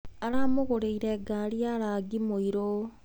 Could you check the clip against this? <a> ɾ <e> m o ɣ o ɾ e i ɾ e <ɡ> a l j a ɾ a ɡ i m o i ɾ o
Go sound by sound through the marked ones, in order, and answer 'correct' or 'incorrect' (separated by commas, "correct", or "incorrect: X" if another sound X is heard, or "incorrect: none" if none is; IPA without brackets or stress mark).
correct, incorrect: a, correct